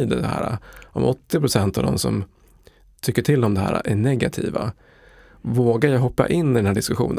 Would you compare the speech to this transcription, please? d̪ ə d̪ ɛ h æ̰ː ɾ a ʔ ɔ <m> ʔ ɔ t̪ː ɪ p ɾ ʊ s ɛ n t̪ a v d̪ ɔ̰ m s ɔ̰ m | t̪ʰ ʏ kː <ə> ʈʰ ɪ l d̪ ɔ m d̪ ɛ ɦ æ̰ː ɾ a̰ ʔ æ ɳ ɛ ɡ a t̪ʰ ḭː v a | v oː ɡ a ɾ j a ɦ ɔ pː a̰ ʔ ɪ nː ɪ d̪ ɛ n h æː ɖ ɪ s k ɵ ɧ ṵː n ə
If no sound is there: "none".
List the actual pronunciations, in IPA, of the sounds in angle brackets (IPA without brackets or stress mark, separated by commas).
m, ə